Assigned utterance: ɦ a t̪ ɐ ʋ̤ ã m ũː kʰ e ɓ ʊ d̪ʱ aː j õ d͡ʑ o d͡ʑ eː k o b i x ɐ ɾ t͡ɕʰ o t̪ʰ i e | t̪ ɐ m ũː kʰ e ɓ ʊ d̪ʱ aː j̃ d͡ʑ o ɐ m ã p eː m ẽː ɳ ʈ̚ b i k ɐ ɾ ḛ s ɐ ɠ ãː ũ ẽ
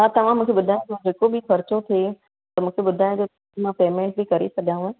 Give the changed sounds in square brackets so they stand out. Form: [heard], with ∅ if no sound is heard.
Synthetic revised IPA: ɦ a t̪ ɐ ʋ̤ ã m ũː kʰ e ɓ ʊ d̪ʱ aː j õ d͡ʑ o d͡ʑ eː k o b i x ɐ ɾ [t͡ɕ] o t̪ʰ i e | t̪ ɐ m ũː kʰ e ɓ ʊ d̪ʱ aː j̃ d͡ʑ o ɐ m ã p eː m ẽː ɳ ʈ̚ b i k ɐ ɾ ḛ s ɐ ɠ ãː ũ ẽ